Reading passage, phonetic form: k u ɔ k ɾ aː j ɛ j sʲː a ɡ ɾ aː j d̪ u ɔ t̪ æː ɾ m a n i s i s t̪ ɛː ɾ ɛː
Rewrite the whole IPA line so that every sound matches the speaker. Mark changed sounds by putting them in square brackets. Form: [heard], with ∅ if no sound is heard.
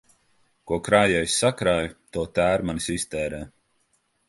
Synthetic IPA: k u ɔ k ɾ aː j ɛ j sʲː a [k] ɾ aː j [t̪] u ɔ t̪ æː ɾ m a n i s i s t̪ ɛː ɾ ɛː